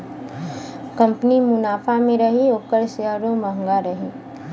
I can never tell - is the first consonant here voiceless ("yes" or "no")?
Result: yes